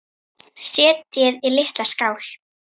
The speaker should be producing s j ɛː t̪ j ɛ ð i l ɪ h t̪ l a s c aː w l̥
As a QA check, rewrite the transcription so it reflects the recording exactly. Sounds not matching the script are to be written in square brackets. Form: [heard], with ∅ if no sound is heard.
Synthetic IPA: s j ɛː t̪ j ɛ ð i l ɪ h t̪ l a s [k] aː w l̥

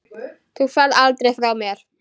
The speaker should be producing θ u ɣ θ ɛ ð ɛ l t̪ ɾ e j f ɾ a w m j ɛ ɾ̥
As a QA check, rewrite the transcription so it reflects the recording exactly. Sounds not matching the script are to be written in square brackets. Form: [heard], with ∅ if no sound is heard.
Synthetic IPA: θ u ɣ [f] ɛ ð [a] l t̪ ɾ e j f ɾ a w m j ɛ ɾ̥

